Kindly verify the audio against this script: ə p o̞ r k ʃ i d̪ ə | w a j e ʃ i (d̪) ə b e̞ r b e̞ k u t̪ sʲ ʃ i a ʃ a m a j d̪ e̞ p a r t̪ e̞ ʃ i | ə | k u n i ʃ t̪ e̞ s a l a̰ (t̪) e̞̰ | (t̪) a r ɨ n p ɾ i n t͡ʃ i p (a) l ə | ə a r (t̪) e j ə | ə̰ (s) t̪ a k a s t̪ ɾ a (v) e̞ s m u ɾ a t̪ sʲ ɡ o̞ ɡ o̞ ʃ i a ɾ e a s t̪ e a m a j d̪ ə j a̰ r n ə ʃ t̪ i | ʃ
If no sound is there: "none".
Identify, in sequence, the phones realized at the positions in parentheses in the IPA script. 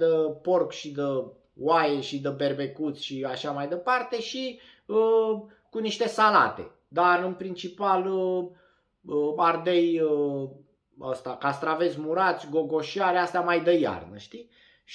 d̪, t̪, d̪, a, d̪, s, v

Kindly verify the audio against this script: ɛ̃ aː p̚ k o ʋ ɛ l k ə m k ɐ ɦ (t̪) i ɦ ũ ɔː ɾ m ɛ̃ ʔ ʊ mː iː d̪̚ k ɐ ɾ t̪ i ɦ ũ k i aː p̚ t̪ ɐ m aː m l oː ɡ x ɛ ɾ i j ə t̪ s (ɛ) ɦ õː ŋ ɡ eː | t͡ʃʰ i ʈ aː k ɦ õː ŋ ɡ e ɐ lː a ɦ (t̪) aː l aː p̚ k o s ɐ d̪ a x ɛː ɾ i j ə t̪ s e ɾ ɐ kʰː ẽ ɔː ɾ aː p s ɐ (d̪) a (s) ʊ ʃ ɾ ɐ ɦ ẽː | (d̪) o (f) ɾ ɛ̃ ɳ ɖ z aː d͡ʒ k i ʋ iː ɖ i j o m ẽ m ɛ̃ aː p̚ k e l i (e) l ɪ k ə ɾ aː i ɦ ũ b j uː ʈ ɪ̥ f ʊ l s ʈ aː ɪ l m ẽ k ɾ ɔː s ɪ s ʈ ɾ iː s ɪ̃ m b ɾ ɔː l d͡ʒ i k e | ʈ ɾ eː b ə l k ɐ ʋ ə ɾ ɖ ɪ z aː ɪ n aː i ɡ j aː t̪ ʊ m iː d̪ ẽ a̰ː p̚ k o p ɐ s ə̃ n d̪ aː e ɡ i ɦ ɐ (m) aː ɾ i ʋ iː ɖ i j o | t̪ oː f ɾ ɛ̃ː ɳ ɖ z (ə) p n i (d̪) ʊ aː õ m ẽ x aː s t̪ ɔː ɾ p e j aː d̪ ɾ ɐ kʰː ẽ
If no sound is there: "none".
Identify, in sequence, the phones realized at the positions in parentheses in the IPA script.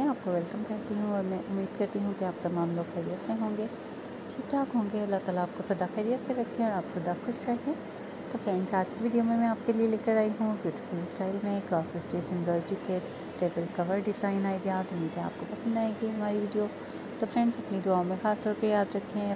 t̪, e, t̪, d̪, x, t̪, f, e, m, ɐ, d̪

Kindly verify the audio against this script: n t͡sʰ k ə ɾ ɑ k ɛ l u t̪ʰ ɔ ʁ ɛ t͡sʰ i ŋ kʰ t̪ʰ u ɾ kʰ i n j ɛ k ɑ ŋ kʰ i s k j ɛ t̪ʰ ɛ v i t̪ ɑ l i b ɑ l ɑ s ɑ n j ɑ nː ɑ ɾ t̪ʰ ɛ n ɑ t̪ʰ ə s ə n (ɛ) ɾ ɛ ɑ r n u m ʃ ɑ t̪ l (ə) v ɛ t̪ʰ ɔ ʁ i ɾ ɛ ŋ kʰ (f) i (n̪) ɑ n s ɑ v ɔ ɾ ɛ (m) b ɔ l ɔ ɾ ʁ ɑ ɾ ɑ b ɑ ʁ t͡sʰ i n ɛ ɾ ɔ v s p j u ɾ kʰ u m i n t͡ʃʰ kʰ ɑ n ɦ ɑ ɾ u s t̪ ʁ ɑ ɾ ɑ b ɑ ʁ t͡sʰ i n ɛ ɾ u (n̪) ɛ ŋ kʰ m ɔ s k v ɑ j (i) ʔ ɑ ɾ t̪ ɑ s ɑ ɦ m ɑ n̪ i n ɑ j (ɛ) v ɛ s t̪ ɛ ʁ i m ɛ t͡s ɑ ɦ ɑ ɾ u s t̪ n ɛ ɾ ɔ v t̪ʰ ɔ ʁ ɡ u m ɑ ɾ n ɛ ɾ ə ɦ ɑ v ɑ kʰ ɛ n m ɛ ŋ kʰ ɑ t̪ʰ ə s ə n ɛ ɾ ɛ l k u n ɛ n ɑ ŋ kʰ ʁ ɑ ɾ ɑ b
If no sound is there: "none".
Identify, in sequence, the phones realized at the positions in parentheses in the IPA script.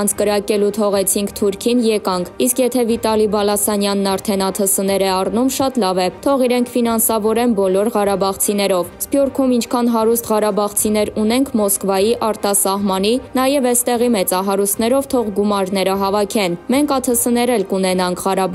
ɛ, ɑ, f, n̪, n, n̪, i, ɛ

